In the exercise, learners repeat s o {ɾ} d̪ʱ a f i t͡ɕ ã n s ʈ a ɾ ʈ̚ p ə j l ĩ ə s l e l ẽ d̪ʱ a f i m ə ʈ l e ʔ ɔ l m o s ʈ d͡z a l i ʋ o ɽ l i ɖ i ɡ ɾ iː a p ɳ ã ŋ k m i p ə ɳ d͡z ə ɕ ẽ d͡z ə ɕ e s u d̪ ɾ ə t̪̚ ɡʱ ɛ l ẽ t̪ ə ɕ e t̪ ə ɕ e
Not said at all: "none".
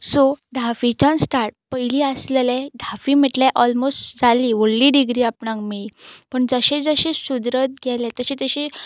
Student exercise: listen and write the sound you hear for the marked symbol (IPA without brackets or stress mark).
none